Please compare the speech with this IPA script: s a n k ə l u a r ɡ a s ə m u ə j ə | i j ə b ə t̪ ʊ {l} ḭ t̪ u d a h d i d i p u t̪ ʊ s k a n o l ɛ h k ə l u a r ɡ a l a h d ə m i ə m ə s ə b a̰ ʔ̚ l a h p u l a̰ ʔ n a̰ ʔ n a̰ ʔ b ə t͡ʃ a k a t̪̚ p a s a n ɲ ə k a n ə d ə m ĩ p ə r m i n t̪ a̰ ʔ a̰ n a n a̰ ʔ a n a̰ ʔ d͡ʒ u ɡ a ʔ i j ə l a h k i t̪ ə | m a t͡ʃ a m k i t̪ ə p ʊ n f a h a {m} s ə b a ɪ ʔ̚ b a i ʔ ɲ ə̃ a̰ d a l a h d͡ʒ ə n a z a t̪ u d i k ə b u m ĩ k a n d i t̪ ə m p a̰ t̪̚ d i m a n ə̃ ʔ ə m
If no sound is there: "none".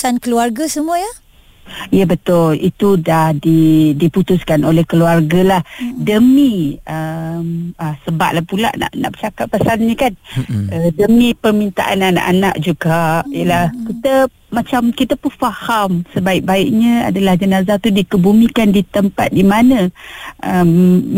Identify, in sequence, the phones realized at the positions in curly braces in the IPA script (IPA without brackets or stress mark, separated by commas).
l, m